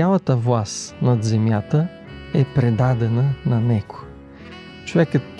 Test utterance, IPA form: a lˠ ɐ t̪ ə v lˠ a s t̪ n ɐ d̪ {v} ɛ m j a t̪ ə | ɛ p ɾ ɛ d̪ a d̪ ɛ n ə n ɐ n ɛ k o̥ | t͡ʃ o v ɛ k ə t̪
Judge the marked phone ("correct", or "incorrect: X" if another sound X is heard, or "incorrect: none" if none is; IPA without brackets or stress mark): incorrect: z